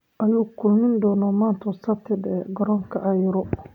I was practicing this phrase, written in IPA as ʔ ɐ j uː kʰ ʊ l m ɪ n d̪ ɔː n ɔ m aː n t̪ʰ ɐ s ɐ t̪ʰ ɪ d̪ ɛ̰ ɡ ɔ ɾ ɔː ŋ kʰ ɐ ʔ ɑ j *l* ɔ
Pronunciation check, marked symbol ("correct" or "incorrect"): incorrect